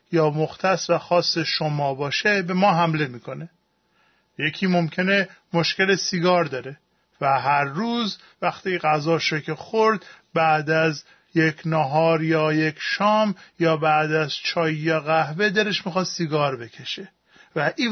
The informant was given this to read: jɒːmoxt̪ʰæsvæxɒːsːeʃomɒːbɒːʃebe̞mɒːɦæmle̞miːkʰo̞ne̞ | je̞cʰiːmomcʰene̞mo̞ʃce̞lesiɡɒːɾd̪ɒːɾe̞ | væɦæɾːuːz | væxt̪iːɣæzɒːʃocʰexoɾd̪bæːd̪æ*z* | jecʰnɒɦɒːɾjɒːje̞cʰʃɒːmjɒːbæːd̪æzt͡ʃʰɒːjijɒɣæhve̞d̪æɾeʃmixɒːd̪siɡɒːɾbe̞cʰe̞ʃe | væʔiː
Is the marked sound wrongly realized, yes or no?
no